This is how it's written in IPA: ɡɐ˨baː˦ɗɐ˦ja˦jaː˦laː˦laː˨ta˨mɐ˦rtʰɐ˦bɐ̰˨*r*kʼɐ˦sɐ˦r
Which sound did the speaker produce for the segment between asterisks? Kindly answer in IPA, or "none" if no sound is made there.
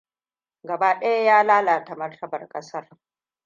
r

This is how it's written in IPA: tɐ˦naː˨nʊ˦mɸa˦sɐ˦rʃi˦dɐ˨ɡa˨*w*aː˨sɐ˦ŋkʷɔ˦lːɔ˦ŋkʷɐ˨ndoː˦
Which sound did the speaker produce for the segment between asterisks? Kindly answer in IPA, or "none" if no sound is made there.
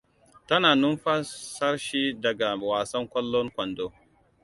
w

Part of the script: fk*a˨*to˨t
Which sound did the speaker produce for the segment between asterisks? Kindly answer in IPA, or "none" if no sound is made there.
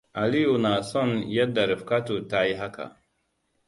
a˦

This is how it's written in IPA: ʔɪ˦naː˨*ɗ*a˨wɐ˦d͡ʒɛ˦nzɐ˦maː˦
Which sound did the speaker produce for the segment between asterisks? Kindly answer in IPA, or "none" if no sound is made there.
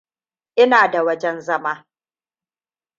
d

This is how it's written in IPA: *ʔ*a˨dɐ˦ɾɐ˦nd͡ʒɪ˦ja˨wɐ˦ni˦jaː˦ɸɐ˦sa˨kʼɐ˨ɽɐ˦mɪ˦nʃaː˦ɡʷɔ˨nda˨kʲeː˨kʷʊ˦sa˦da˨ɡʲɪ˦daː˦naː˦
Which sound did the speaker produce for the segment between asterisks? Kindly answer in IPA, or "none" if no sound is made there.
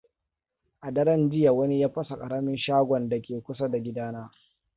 ʔ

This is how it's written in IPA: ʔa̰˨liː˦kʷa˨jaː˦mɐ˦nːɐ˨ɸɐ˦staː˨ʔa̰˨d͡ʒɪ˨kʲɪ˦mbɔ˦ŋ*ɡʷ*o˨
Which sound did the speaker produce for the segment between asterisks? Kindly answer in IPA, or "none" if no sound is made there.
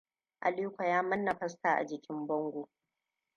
ɡʷ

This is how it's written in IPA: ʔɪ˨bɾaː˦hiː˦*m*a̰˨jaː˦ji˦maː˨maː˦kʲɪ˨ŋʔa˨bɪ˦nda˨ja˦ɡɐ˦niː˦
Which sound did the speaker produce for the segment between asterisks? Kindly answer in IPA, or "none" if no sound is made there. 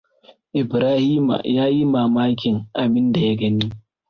m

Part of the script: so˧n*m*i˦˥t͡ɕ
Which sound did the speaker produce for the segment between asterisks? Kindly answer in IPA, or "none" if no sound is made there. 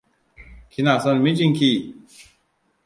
m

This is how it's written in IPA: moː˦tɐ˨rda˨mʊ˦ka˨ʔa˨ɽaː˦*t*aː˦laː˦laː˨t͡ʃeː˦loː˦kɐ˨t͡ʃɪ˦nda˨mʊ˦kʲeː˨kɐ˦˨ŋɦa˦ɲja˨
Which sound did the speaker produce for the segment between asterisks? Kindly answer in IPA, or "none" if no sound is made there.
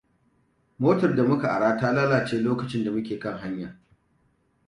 t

